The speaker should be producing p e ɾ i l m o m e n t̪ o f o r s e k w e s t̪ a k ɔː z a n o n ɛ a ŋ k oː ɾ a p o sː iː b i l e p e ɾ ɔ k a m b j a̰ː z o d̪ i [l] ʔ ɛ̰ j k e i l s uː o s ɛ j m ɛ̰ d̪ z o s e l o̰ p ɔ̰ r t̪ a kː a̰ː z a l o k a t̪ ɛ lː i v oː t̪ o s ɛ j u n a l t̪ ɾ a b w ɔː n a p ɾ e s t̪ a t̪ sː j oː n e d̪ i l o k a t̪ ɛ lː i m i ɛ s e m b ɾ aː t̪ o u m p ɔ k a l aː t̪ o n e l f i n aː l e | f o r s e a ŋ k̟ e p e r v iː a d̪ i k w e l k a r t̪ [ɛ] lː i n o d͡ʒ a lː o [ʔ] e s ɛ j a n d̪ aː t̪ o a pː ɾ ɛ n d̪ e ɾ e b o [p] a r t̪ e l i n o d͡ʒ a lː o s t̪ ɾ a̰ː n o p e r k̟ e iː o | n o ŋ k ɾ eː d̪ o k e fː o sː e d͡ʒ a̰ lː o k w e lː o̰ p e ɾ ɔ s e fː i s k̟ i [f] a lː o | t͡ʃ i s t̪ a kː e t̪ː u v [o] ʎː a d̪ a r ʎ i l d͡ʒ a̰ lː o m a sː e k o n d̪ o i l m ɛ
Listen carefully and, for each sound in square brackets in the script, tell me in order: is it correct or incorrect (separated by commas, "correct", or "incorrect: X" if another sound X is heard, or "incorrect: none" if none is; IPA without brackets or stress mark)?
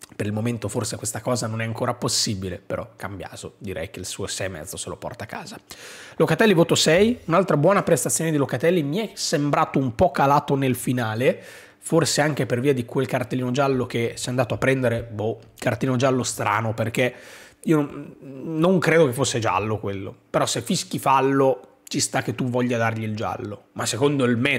incorrect: ɾ, incorrect: e, incorrect: k, incorrect: k, correct, incorrect: ɔ